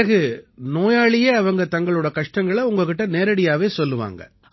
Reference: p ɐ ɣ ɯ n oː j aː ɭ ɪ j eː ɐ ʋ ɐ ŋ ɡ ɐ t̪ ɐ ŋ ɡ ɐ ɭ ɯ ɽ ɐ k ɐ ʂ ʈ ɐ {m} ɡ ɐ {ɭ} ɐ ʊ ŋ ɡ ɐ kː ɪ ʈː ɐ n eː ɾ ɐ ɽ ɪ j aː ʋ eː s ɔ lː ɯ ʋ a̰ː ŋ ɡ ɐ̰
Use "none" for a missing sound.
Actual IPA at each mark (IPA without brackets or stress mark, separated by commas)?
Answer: ŋ, ɭ